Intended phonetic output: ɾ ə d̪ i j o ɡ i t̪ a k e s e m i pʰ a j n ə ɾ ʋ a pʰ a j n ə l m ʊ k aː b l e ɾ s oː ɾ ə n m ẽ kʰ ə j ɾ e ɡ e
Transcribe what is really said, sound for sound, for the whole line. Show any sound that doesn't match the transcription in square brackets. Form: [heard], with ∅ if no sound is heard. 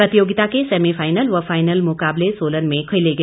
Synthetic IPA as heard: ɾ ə [t̪] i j o ɡ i t̪ a k e s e m i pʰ a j n ə [l] ʋ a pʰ a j n ə l m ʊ k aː b l e [∅] s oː [l] ə n m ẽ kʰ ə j [l] e ɡ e